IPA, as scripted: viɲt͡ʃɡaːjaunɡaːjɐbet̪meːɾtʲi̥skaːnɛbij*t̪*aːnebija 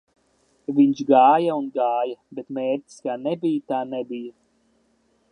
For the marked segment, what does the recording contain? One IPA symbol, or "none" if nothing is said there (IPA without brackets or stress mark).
t̪